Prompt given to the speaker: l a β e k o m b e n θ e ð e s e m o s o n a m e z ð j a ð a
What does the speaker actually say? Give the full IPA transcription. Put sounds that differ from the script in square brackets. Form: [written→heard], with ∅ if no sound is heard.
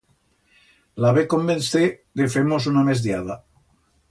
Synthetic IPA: l a β e k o m b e n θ e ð e [s→f] e m o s [o→u] n a m e z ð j a ð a